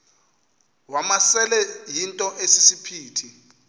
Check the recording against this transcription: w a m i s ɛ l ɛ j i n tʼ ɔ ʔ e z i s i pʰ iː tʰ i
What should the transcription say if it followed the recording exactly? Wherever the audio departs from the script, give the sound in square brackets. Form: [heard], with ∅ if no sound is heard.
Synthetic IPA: w a m [a] s ɛ l ɛ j i n tʼ ɔ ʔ e [s] i s i pʰ iː tʰ i

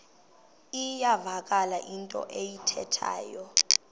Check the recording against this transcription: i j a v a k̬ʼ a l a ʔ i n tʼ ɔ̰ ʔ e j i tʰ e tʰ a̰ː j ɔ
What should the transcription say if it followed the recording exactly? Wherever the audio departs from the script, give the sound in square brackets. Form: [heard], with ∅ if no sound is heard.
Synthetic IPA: i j a v a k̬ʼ a l a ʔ i n tʼ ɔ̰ ʔ e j i tʰ [ɛ] tʰ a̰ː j ɔ

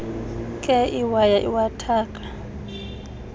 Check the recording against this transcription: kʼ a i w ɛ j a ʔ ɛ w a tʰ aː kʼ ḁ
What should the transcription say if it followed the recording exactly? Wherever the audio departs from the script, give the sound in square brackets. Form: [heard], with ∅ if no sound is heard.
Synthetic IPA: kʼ [ɛ] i w [a] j a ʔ [i] w a tʰ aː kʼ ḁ

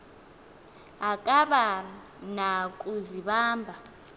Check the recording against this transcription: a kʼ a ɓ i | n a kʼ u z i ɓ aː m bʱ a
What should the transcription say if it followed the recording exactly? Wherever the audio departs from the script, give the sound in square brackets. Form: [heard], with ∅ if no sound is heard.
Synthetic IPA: a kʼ a ɓ [a] | n a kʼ u z i ɓ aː m bʱ a

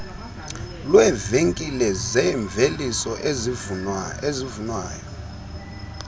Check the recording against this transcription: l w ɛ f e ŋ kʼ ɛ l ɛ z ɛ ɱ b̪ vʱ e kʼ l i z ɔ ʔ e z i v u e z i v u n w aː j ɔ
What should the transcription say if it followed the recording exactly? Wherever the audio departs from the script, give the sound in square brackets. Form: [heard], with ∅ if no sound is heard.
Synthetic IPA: l w ɛ [v] e ŋ kʼ [i] l ɛ z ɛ ɱ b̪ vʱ e [∅] l i [s] ɔ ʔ e z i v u e z i v u n w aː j ɔ

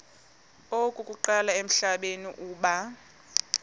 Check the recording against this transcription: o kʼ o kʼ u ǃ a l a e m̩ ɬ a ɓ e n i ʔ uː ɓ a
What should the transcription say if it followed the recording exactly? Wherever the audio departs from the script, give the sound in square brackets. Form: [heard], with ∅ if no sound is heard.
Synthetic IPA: o kʼ [u] kʼ u ǃ a l a e m̩ ɬ a ɓ e n i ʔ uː ɓ a

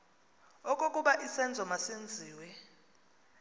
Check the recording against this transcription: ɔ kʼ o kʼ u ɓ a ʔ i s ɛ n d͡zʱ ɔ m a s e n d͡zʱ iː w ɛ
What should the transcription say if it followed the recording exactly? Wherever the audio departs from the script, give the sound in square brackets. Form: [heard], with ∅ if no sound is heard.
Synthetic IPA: ɔ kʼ o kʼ u ɓ a ʔ i s ɛ n d͡zʱ ɔ m a s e n d͡zʱ iː w ɛ

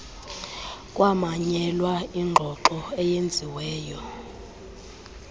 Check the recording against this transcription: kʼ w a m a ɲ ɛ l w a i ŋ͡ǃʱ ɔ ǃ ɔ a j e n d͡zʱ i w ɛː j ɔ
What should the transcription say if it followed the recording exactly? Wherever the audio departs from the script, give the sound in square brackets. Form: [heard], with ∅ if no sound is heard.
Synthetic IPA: kʼ w a m a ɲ ɛ l w a i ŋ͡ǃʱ ɔ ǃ ɔ [ɛ] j e n d͡zʱ i w ɛː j ɔ

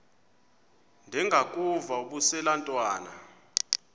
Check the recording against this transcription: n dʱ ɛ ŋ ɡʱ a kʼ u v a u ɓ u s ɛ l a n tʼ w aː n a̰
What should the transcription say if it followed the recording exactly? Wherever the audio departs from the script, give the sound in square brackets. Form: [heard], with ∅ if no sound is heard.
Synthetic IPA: n dʱ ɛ ŋ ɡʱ a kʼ u v a u ɓ u s ɛ l a n tʼ w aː n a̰

